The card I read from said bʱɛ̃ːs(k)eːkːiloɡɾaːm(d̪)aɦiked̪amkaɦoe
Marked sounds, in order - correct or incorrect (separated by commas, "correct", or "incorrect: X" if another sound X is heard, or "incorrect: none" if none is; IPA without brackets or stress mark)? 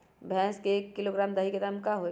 correct, correct